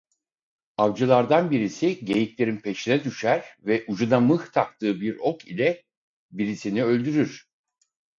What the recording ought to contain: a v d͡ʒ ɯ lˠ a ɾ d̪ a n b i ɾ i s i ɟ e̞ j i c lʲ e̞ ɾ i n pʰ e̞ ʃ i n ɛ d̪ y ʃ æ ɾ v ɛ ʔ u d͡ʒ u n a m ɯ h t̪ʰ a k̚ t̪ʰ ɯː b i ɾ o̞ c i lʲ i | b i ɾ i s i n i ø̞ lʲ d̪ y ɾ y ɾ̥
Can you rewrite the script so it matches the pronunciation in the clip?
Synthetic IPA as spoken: a v d͡ʒ ɯ lˠ a ɾ d̪ a n b i ɾ i s i ɟ e̞ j i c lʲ e̞ ɾ i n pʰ e̞ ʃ i n ɛ d̪ y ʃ æ ɾ v ɛ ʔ u d͡ʒ u n a m ɯ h t̪ʰ a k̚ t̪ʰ ɯː b i ɾ o̞ k i lʲ ɛ | b i ɾ i s i n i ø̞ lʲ d̪ y ɾ y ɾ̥